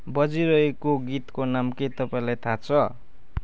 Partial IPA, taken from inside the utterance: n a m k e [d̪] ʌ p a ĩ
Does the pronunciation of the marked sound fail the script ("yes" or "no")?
yes